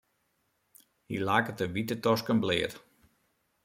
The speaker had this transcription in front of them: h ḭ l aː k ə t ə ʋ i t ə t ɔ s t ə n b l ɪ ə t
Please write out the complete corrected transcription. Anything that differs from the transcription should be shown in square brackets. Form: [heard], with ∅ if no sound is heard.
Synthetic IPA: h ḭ l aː k ə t ə ʋ i t ə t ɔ s [k] ə n b l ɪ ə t

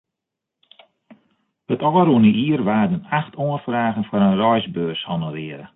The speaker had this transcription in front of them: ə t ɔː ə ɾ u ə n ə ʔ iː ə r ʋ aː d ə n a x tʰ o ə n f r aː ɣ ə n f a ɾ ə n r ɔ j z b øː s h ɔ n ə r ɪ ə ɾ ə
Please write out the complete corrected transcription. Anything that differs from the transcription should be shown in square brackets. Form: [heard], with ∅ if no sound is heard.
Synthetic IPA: ə t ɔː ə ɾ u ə n ə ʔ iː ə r ʋ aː d ə n a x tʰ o ə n f r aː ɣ ə n f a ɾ ə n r ɔ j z b øː s h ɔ n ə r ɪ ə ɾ ə

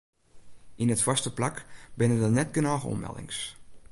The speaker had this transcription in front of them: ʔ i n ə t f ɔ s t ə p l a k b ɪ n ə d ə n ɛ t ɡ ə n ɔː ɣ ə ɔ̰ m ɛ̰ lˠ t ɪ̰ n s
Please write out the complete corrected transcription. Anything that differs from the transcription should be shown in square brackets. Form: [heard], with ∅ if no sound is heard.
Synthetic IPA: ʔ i n ə t f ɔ s t ə p l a k b ɪ n ə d ə n ɛ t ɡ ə n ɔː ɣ ə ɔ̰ m ɛ̰ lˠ [d] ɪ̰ [ŋ] s

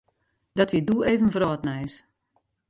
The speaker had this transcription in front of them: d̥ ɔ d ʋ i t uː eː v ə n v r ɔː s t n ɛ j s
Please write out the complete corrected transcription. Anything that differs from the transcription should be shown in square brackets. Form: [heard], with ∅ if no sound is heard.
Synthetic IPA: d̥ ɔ [t] ʋ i [d] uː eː v ə n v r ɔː [∅] t n ɛ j s

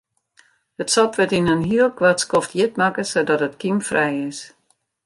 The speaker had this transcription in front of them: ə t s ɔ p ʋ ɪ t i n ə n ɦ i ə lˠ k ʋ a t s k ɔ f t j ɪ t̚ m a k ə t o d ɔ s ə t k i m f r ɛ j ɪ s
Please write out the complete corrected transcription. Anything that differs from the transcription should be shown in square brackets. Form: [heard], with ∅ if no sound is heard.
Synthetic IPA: ə t s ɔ p ʋ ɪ t i n ə n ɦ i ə lˠ k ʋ a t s k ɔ f t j ɪ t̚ m a k ə [s] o d ɔ [t] ə t k i m f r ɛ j ɪ s

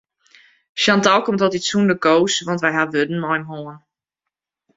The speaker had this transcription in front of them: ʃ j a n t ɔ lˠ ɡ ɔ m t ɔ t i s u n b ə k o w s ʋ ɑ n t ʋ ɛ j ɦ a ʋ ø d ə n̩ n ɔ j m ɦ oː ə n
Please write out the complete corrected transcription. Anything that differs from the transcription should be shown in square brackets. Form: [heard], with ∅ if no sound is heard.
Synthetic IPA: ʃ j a n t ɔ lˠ [k] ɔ m t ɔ t i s u n [d] ə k o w s ʋ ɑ n t ʋ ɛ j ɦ a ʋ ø d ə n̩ [m] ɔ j m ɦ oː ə n

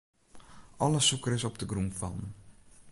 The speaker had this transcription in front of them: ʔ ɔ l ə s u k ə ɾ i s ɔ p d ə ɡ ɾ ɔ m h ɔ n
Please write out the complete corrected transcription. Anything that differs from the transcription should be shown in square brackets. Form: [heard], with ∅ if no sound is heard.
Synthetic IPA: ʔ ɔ l ə s u k ə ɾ [ɪ] s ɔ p d ə ɡ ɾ [u] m [f] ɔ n

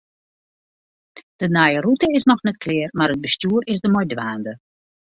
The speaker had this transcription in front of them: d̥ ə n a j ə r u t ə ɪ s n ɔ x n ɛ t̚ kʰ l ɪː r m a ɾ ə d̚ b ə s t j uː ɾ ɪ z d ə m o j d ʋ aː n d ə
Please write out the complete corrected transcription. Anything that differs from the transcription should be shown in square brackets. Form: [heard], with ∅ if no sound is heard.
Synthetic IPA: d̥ ə n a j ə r u t ə ɪ s n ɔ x n ɛ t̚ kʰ l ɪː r m a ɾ ə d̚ b ə s t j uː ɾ ɪ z d ə m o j d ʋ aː n d ə

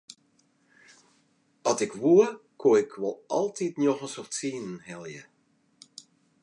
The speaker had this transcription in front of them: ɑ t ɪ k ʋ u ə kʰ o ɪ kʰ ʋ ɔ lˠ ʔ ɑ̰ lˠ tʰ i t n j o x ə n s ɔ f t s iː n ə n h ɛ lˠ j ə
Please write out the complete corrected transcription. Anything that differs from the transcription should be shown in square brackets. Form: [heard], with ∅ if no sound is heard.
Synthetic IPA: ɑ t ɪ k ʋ u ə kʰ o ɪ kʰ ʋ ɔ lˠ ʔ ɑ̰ lˠ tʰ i t n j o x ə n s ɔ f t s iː n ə n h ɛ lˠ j ə

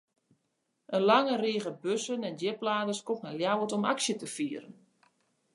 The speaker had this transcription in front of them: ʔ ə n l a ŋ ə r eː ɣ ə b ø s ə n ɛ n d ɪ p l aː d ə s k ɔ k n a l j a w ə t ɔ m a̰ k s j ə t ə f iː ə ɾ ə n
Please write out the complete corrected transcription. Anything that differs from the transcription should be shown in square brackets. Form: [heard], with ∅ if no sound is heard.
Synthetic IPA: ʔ ə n l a ŋ ə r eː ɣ ə b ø s ə n ɛ n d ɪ p l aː d ə s k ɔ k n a l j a w ə t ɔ m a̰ k s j ə t ə f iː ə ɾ ə n

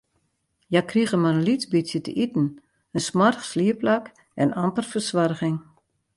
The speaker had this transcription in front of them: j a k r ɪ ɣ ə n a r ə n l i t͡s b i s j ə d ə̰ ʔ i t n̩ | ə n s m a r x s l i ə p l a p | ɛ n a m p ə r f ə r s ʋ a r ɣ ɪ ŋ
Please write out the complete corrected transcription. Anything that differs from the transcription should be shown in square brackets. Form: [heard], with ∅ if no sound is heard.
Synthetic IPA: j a k r [i] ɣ ə [m] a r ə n l i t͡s b i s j ə [t] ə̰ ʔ i t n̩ | ə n s m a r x s l i ə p l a [k] | ɛ n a m p ə r f ə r s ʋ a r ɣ ɪ ŋ

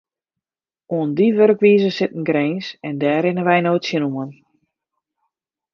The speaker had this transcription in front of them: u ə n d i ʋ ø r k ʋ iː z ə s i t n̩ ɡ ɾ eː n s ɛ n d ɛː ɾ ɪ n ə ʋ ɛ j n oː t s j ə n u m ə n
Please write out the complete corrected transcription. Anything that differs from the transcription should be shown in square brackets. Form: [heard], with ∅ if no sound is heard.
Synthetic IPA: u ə n d i ʋ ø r k ʋ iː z ə s [ɪ] t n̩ ɡ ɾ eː n s ɛ n d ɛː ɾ ɪ n ə ʋ ɛ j n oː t s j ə n u m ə n

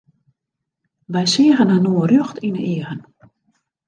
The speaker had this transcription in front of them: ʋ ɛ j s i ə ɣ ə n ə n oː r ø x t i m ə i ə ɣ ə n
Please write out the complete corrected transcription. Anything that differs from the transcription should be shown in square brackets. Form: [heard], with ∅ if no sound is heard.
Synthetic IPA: ʋ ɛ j s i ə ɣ ə n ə n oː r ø x t i [n] ə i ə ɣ ə n

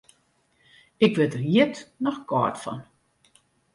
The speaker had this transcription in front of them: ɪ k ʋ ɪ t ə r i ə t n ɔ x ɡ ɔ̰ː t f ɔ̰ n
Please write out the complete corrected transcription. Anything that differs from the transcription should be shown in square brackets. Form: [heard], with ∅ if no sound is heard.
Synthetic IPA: ɪ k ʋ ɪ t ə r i ə t n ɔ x [k] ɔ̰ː t f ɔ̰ n

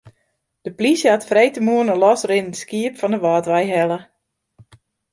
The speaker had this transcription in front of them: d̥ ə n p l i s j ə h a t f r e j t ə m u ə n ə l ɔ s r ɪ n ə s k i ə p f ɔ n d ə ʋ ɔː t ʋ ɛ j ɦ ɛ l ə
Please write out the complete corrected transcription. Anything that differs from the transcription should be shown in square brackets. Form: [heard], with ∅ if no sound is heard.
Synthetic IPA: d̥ ə [∅] p l i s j ə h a t f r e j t ə m u ə n ə l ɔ s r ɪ n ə s k i ə p f ɔ n d ə ʋ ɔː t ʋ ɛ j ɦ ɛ l ə

